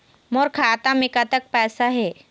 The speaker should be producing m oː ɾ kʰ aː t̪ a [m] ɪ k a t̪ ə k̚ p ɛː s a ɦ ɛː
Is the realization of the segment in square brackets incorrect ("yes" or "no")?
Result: no